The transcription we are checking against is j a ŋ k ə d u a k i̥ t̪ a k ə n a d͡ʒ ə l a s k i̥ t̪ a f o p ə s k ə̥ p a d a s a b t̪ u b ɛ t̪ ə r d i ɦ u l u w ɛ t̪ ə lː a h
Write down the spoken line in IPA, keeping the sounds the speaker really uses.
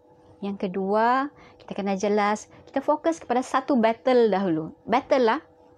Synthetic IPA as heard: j a ŋ k ə d u a k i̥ t̪ a k ə n a d͡ʒ ə l a s k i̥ t̪ a f o k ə s k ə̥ p a d a s a t̪ u b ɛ t̪ ə l d a ɦ u l u b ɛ t̪ ə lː a h